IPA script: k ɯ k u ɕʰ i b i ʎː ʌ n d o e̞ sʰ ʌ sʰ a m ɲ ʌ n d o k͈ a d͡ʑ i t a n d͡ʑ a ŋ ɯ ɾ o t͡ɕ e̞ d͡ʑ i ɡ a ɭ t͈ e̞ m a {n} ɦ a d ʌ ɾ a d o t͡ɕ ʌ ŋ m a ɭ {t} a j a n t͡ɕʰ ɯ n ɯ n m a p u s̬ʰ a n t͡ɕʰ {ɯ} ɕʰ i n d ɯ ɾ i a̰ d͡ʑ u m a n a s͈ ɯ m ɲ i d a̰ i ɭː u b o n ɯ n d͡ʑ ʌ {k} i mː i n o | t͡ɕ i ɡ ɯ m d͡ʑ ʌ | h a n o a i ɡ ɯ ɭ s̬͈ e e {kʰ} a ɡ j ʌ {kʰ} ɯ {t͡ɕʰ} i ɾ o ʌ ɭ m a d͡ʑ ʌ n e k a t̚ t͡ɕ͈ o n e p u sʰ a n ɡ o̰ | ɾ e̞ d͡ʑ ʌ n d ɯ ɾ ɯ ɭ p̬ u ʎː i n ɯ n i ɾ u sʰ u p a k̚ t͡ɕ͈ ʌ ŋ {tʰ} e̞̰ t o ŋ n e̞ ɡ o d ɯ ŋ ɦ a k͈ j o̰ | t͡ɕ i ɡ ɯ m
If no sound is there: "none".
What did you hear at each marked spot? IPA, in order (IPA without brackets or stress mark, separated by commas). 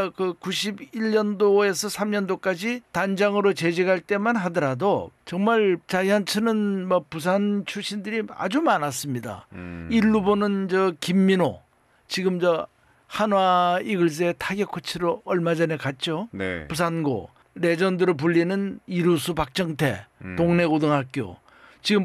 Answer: n, t͡ɕ, u, k, tʰ, kʰ, t͡ɕʰ, tʰ